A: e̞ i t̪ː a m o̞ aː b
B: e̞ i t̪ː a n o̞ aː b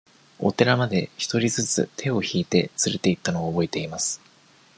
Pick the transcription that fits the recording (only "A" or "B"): B